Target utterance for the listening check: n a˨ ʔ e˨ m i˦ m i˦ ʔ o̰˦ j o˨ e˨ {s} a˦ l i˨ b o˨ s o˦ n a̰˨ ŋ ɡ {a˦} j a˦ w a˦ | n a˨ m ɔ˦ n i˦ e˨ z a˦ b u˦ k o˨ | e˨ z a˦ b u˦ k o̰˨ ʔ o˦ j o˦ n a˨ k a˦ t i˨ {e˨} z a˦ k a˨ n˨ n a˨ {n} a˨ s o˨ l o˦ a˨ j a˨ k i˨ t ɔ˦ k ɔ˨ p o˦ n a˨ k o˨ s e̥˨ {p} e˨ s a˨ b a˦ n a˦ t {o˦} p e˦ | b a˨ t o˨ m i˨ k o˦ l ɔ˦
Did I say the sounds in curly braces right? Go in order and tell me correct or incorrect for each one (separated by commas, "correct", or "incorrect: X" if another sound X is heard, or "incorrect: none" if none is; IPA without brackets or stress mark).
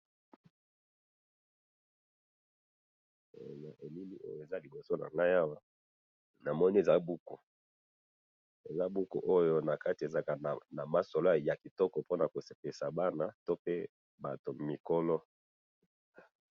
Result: incorrect: z, correct, correct, incorrect: m, correct, correct